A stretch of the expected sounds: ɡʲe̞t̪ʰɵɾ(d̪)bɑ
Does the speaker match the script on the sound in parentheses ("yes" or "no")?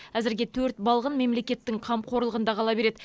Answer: no